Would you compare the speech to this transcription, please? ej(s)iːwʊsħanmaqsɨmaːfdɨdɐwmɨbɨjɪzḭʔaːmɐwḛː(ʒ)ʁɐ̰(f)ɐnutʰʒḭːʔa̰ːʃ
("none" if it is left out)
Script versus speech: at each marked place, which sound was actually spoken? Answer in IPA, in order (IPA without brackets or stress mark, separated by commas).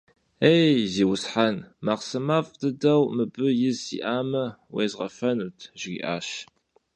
z, z, f